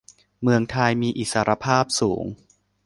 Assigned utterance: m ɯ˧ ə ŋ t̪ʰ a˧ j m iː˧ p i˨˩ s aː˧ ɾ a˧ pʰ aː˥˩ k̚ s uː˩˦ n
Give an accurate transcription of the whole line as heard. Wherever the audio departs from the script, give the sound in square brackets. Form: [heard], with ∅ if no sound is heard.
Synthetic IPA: m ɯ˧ ə ŋ t̪ʰ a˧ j m iː˧ [ʔ] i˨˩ s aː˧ ɾ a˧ pʰ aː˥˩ [p̚] s uː˩˦ [ŋ]